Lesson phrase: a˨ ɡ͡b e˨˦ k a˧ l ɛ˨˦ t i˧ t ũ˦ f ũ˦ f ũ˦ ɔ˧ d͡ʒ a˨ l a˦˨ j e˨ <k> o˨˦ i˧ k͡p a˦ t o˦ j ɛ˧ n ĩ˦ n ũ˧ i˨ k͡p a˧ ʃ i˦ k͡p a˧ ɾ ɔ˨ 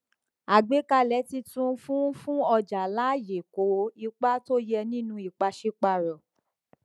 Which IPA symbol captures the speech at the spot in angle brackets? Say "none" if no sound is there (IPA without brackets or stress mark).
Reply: k